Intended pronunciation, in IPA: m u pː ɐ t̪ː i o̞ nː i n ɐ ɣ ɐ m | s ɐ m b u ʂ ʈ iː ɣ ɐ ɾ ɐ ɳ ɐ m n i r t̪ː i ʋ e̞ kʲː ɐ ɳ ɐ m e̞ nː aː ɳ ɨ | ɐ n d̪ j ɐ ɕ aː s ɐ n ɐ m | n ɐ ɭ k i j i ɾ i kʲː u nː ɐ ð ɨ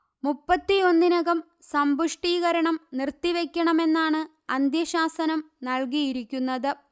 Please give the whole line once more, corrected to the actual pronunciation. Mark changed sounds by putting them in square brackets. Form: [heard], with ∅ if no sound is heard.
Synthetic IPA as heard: m u pː ɐ t̪ː i o̞ nː i n ɐ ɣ ɐ m | s ɐ m b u ʂ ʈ iː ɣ ɐ ɾ ɐ ɳ ɐ m n i r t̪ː i ʋ e̞ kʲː ɐ ɳ ɐ m e̞ nː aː ɳ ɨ | ɐ n d̪ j ɐ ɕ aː s ɐ n ɐ m | n ɐ ɭ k i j i ɾ i kʲː u nː ɐ ð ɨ

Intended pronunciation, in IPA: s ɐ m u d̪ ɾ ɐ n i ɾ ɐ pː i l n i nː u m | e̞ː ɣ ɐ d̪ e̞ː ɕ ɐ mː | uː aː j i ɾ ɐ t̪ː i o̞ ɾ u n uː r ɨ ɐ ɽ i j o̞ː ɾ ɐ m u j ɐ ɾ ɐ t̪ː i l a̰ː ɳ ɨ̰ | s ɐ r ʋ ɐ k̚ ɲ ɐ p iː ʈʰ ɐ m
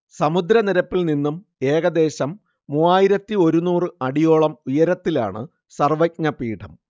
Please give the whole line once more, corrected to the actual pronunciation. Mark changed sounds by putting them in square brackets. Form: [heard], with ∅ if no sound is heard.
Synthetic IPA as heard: s ɐ m u d̪ ɾ ɐ n i ɾ ɐ pː i l n i nː u m | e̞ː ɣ ɐ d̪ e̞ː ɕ ɐ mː | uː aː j i ɾ ɐ t̪ː i o̞ ɾ u n uː r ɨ ɐ ɽ i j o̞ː [ɭ] ɐ m u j ɐ ɾ ɐ t̪ː i l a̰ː ɳ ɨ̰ | s ɐ r ʋ ɐ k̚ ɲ ɐ p iː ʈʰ ɐ m

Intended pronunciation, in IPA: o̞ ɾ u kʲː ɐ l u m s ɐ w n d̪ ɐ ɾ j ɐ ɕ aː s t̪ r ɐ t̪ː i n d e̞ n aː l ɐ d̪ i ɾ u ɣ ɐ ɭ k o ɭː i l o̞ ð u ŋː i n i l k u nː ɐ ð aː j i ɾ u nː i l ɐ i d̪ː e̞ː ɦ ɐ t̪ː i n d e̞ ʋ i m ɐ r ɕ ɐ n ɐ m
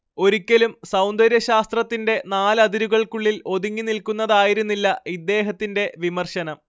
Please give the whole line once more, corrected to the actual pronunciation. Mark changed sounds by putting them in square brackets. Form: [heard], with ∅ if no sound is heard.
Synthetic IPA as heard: o̞ ɾ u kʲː ɐ l u m s ɐ w n d̪ ɐ ɾ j ɐ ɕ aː s t̪ r ɐ t̪ː i n d e̞ n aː l ɐ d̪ i ɾ u ɣ ɐ ɭ k [u] ɭː i l o̞ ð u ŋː i n i l k u nː ɐ ð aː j i ɾ u nː i [lː] ɐ i d̪ː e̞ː ɦ ɐ t̪ː i n d e̞ ʋ i m ɐ r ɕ ɐ n ɐ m

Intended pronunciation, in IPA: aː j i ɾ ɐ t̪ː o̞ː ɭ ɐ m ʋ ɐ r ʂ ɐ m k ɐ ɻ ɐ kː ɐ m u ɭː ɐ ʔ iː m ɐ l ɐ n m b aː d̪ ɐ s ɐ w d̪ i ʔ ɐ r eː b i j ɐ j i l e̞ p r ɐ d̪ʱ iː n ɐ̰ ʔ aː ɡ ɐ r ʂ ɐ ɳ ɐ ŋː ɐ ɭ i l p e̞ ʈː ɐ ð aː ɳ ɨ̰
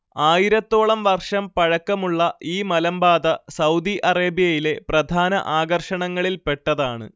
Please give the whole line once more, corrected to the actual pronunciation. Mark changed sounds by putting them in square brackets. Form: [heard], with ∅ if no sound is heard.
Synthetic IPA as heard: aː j i ɾ ɐ t̪ː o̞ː ɭ ɐ m ʋ ɐ r ʂ ɐ m [p] ɐ ɻ ɐ kː ɐ m u ɭː ɐ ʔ iː m ɐ l ɐ [∅] m b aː d̪ ɐ s ɐ w d̪ i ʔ ɐ r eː b i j ɐ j i l e̞ p r ɐ d̪ʱ [aː] n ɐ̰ ʔ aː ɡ ɐ r ʂ ɐ ɳ ɐ ŋː ɐ ɭ i l p e̞ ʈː ɐ ð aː ɳ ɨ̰

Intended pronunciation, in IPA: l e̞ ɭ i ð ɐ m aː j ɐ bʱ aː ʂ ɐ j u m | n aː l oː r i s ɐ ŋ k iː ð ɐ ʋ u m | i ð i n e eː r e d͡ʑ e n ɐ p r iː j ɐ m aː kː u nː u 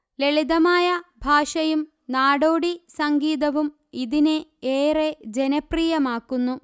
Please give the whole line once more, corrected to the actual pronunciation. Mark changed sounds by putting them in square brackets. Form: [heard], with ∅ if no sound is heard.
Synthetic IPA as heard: l e̞ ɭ i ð ɐ m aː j ɐ bʱ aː ʂ ɐ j u m | n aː [ɽ] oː [ɽ] i s ɐ ŋ [ɡ] iː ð ɐ ʋ u m | i ð i n e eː r e d͡ʑ e n ɐ p r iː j ɐ m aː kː u nː u

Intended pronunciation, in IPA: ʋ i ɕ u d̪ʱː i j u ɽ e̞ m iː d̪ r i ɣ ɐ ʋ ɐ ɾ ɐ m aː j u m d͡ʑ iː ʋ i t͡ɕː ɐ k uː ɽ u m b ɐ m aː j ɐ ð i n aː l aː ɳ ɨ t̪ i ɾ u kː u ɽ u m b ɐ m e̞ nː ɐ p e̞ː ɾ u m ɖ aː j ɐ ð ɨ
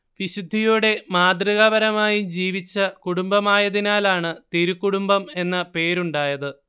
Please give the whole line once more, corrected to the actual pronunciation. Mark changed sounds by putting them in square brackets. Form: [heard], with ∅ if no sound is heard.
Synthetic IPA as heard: ʋ i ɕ u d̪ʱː i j u ɽ e̞ m [aː] d̪ r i ɣ ɐ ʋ ɐ ɾ ɐ m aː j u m d͡ʑ iː ʋ i t͡ɕː ɐ k [u] ɽ u m b ɐ m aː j ɐ ð i n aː l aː ɳ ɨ t̪ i ɾ u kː u ɽ u m b ɐ m e̞ nː ɐ p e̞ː ɾ u [ɳ] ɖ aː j ɐ ð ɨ

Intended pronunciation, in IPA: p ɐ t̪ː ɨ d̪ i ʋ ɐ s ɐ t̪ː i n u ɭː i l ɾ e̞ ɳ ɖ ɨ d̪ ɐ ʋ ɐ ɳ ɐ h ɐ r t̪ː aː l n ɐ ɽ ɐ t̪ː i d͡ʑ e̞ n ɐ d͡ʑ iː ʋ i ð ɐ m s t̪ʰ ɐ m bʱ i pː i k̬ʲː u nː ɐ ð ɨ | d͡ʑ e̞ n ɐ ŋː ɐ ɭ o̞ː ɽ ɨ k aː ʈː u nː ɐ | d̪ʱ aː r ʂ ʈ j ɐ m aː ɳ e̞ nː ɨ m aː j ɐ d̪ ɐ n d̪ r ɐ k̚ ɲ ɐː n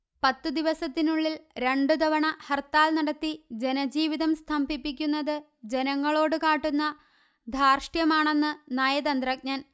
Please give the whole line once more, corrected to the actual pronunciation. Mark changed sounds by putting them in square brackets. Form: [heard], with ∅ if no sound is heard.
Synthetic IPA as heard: p ɐ t̪ː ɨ d̪ i ʋ ɐ s ɐ t̪ː i n u ɭː i l ɾ e̞ ɳ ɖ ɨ d̪ ɐ ʋ ɐ ɳ ɐ h ɐ r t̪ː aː l n ɐ ɽ ɐ t̪ː i d͡ʑ e̞ n ɐ d͡ʑ iː ʋ i ð ɐ m s t̪ʰ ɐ m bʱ i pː i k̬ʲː u nː ɐ ð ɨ | d͡ʑ e̞ n ɐ ŋː ɐ ɭ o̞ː ɽ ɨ k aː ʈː u nː ɐ | d̪ʱ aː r ʂ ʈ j ɐ m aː ɳ e̞ nː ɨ [n] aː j ɐ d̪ ɐ n d̪ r ɐ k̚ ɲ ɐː n

